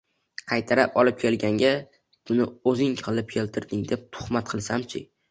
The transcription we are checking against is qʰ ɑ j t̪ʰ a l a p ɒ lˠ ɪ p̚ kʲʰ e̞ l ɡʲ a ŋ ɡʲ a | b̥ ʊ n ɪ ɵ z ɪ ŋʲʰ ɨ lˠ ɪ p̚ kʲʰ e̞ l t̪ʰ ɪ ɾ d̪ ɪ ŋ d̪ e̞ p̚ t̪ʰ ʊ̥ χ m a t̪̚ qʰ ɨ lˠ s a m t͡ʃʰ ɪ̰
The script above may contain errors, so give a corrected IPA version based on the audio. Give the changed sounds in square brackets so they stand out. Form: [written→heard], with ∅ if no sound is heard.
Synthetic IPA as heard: qʰ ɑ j t̪ʰ a [l→ɾ] a p ɒ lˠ ɪ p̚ kʲʰ e̞ l ɡʲ a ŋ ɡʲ a | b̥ ʊ n ɪ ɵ z ɪ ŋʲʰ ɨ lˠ ɪ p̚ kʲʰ e̞ l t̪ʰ ɪ ɾ d̪ ɪ ŋ d̪ e̞ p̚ t̪ʰ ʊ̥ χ m a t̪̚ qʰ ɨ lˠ s a m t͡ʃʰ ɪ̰